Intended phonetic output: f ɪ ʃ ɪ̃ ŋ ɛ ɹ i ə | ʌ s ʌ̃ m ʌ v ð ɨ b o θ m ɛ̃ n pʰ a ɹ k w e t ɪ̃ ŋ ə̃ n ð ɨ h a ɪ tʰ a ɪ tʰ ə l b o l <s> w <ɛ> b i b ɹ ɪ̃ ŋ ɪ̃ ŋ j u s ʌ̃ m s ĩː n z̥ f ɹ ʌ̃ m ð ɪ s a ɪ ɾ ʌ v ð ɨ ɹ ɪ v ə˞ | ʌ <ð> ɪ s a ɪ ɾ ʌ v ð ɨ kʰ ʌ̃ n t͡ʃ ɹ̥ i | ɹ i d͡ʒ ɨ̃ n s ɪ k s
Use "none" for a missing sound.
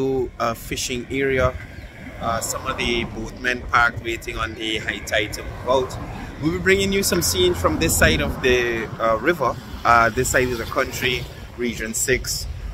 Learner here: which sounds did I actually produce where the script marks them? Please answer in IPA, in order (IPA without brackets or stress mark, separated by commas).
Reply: t, i, ð